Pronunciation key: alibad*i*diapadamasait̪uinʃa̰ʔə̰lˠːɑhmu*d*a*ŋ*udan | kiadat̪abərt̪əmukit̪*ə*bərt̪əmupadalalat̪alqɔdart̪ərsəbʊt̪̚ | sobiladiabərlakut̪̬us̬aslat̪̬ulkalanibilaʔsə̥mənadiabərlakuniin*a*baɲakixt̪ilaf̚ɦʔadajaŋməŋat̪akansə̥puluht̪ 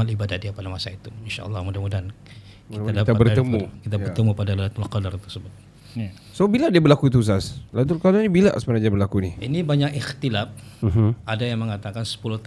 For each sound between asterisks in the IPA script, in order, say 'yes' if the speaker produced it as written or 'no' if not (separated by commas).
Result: no, yes, no, no, no